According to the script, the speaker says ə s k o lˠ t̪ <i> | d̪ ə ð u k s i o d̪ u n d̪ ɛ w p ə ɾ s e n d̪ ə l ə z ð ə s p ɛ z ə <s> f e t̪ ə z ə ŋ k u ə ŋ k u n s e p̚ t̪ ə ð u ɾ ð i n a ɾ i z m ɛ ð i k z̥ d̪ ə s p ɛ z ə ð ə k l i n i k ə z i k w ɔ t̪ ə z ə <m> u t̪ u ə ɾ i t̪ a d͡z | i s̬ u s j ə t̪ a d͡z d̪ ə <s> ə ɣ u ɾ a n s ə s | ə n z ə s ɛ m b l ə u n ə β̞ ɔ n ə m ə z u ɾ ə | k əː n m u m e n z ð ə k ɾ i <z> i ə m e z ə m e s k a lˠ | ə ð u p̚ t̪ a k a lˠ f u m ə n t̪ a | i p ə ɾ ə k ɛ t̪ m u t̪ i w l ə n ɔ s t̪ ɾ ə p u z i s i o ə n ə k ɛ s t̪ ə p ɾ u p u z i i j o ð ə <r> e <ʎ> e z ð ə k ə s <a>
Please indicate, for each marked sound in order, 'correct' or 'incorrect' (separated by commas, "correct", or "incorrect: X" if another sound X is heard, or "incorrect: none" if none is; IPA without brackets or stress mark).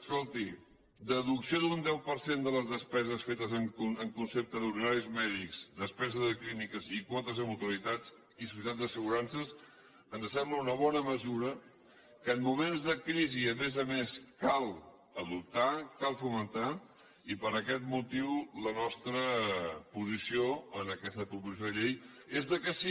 correct, correct, correct, correct, correct, incorrect: ʎ, incorrect: j, incorrect: i